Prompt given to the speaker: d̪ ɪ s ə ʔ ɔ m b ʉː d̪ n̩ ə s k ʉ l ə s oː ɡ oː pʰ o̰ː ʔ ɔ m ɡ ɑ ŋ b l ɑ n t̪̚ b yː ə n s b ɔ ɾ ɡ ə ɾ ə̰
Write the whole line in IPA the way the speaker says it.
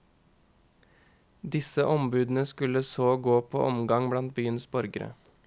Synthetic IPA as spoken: d̪ ɪ s ə ʔ ɔ m b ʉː d̪ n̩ ə s k ʉ l ə s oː ɡ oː pʰ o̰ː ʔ ɔ m ɡ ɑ ŋ b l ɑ n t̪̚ b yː ə n s b ɔ ɾ ɡ ə ɾ ə̰